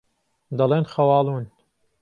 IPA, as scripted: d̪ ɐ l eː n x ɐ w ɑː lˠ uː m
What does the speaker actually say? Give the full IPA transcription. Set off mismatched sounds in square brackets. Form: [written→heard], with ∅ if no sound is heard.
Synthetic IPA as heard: d̪ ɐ l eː n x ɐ w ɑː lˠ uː [m→n]